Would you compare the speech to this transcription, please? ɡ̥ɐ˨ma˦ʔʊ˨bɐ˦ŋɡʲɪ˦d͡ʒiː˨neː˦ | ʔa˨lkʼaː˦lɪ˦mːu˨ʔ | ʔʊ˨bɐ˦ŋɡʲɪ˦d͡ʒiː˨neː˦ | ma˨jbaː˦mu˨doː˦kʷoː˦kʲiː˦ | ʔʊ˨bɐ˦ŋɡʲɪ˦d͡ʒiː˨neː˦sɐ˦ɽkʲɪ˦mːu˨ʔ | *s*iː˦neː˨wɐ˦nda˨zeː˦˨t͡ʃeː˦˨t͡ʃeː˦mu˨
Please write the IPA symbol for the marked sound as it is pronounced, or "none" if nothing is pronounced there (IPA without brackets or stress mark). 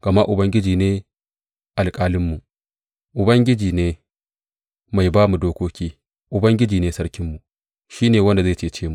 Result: ʃ